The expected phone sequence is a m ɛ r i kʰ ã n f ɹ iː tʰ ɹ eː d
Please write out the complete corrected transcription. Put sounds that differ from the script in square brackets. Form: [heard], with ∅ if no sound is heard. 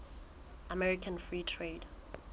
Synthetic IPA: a m ɛ [ɹ] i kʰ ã n f ɹ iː tʰ ɹ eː d